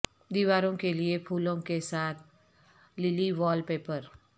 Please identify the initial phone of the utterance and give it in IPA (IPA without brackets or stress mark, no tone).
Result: d̪